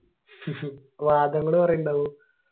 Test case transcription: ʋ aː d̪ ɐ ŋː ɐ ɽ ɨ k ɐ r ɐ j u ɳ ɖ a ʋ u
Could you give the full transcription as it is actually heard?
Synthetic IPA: ʋ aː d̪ ɐ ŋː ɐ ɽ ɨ p ɐ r ɐ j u ɳ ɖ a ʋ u